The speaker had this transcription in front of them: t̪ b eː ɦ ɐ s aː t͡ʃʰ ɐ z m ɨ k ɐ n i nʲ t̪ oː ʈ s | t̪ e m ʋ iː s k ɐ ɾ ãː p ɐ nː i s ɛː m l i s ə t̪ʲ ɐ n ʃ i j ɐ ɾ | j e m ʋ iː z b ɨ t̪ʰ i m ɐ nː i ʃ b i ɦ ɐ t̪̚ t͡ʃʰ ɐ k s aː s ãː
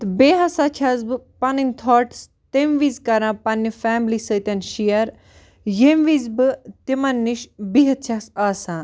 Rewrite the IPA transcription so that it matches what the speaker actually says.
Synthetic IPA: t̪ b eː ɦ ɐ s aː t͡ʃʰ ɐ z b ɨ p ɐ n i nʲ t̪ʰ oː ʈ s | t̪ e m ʋ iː z k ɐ ɾ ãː p ɐ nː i f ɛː m l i s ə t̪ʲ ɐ n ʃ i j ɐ ɾ | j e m ʋ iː z b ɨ t̪ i m ɐ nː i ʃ b i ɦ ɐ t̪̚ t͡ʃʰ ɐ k s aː s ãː